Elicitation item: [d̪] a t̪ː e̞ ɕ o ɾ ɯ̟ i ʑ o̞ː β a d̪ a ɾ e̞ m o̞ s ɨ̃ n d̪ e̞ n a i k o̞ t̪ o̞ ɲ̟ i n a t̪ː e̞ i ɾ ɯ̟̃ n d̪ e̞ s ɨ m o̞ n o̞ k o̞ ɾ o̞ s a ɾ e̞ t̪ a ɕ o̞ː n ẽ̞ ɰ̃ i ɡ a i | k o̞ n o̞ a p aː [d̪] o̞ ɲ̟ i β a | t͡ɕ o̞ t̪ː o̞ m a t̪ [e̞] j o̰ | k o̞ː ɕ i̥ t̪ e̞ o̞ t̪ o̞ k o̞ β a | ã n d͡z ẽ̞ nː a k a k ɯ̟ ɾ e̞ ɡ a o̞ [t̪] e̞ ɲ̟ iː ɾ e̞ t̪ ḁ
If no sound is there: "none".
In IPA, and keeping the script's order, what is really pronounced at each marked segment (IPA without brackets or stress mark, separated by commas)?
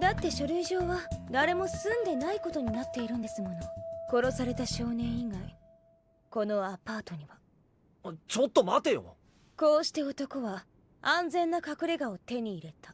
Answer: d̪, t̪, e̞, t̪